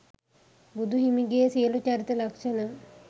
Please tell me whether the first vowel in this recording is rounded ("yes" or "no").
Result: yes